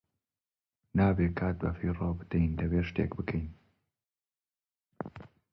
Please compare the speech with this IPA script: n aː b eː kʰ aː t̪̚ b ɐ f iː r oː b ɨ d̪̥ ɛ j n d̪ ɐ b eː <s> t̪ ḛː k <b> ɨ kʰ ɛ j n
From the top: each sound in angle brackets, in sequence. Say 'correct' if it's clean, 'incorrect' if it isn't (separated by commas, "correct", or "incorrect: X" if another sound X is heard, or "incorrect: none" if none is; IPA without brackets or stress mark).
incorrect: ʃ, correct